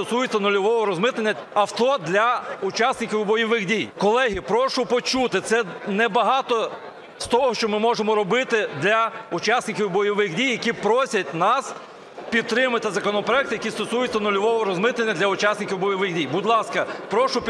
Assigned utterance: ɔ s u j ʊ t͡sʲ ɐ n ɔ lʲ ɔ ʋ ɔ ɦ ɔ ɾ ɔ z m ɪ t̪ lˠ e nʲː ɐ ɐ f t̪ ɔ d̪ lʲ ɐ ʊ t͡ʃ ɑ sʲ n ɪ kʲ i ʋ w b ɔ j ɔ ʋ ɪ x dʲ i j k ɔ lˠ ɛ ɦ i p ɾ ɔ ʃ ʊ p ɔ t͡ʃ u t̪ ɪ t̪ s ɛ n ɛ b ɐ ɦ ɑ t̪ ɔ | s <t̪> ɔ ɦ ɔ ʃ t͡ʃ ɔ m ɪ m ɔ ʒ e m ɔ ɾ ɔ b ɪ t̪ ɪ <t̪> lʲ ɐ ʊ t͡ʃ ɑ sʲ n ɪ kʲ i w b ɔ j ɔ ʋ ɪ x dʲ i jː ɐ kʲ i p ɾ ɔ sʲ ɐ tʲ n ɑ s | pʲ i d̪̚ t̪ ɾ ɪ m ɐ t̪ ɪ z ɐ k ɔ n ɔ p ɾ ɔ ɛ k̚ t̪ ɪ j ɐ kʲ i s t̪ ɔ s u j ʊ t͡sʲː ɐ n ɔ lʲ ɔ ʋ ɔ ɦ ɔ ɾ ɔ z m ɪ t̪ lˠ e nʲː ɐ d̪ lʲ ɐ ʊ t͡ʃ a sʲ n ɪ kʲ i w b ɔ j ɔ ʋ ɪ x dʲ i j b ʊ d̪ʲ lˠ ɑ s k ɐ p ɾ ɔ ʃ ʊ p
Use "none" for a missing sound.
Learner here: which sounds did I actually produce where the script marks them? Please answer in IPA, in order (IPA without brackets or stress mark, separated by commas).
t̪, d̪